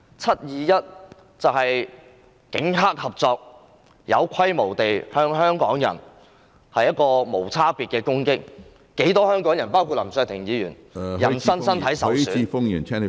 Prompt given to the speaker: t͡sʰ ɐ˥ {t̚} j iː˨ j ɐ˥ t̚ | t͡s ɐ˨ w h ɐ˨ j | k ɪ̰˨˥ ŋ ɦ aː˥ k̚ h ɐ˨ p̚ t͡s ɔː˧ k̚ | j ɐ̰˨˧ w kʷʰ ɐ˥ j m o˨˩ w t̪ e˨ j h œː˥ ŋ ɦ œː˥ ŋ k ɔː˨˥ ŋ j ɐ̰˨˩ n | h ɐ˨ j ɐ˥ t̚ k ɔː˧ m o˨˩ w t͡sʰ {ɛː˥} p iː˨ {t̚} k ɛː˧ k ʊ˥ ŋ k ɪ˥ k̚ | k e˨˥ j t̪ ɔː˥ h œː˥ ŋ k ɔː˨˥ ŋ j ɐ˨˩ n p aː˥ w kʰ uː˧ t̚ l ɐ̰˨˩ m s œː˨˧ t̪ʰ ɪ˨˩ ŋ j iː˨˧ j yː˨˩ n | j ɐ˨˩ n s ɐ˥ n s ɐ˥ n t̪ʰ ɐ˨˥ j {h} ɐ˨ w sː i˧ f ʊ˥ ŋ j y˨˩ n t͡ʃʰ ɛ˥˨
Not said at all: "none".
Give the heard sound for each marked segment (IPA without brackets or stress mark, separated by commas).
t̚, aː˥, t̚, s